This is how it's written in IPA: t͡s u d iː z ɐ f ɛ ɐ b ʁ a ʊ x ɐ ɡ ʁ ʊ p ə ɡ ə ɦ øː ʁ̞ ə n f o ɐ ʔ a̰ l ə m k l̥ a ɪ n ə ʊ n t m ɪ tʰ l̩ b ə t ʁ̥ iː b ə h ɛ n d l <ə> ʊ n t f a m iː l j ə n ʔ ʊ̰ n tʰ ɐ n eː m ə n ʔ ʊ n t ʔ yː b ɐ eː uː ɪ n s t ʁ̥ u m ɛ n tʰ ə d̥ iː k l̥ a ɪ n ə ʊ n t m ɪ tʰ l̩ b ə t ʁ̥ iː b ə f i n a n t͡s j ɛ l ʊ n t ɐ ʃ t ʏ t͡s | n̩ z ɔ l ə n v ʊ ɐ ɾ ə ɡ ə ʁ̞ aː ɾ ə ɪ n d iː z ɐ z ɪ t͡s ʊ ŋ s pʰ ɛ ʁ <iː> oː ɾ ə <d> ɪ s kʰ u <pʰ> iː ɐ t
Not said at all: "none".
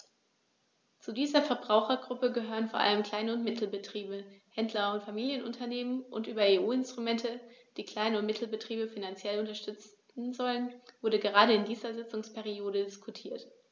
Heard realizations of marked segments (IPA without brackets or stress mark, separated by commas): ɐ, i, d, tʰ